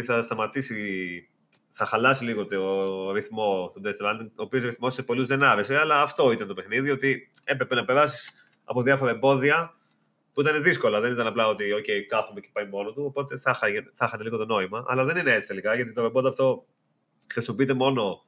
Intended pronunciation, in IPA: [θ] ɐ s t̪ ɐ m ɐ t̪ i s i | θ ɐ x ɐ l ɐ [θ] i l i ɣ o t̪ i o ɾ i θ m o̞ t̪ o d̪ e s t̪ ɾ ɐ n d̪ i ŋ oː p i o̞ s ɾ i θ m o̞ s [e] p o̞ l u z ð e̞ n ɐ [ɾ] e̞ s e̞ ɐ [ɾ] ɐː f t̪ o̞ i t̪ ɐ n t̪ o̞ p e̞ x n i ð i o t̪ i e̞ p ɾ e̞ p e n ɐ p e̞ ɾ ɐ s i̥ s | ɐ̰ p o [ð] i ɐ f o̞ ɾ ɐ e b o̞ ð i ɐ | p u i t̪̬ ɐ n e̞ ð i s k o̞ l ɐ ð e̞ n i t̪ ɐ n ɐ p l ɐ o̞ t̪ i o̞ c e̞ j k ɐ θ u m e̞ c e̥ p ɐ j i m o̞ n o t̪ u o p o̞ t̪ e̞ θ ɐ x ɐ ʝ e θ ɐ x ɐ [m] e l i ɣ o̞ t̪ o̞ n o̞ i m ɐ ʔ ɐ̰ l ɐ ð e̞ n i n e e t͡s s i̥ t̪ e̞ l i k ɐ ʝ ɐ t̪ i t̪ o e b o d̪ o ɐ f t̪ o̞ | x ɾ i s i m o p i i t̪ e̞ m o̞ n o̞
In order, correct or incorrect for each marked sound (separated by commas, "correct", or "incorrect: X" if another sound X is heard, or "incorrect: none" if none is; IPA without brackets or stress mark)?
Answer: correct, incorrect: s, correct, correct, incorrect: l, correct, incorrect: n